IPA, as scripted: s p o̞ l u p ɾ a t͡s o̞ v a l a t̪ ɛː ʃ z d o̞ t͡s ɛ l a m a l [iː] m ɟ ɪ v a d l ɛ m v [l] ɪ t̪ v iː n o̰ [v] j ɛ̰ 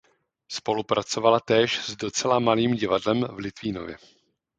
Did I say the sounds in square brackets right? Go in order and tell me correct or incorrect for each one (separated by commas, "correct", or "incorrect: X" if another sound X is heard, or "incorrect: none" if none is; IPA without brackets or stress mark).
correct, correct, correct